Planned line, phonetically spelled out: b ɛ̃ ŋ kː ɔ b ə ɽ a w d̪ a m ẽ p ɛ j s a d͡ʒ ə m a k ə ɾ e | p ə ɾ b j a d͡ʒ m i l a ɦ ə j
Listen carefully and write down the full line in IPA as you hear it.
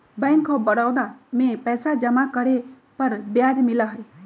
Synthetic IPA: b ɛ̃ ŋ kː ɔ b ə ɽ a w d̪ a m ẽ p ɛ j s a d͡ʒ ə m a k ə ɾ e | p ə ɾ b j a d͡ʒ m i l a ɦ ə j